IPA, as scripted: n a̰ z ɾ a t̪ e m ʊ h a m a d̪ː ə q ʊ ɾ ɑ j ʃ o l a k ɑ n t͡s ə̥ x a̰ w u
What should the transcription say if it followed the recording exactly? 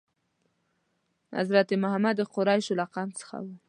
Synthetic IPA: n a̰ z ɾ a t̪ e m ʊ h a m a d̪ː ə q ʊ ɾ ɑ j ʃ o l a q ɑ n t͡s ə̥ x a̰ w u